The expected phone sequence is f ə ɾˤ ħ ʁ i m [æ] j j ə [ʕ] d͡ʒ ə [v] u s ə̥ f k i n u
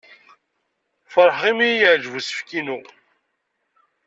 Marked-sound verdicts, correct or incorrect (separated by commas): incorrect, correct, correct